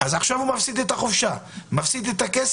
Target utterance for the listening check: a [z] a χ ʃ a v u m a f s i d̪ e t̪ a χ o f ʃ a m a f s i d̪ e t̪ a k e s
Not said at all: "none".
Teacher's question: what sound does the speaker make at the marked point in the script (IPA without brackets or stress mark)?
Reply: z